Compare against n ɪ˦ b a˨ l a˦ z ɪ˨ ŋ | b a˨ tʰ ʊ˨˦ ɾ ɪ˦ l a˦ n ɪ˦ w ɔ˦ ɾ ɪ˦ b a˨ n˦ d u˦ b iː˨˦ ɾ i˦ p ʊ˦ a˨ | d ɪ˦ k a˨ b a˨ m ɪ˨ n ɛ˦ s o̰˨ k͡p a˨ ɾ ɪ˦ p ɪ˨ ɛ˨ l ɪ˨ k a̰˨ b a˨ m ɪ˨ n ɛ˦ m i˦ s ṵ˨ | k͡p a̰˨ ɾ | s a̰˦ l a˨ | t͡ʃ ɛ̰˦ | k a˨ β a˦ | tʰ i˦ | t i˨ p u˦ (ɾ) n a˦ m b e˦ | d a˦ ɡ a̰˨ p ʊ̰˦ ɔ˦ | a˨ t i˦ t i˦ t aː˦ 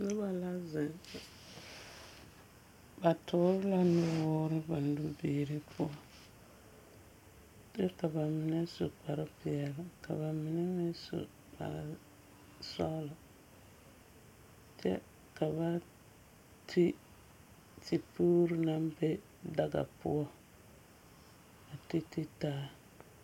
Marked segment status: correct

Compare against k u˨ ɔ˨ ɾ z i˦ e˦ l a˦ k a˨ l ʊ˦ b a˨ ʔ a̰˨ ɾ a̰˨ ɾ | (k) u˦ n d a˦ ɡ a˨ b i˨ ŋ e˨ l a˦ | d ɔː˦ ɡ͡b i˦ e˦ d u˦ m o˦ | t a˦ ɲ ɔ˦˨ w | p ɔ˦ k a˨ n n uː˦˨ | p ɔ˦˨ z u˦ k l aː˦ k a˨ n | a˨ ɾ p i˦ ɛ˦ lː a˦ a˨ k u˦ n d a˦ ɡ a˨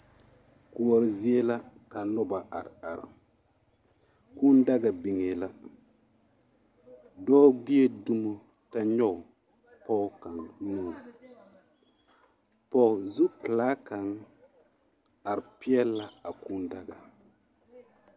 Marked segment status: correct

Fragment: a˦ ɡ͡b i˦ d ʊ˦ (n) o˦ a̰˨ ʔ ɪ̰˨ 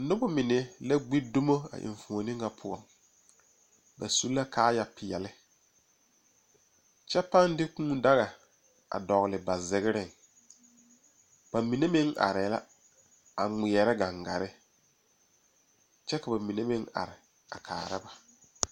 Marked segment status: incorrect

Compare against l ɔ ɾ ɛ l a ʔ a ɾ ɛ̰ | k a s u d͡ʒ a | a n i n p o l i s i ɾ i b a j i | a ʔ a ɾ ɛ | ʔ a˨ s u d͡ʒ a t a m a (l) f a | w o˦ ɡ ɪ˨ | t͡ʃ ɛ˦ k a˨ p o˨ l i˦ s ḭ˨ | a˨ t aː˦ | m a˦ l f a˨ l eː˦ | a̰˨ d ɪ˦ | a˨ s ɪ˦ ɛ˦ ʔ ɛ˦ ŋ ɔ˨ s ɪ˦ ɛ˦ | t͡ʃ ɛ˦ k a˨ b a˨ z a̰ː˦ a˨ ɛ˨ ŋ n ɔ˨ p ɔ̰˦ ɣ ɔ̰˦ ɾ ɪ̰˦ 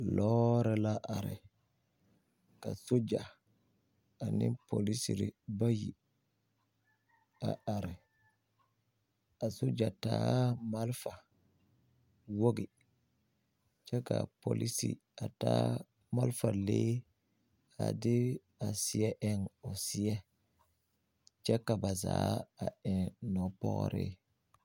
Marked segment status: correct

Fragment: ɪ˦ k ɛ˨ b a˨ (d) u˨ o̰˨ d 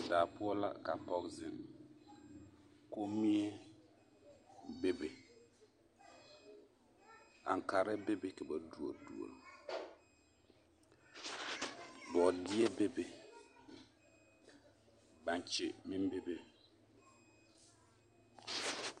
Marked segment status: correct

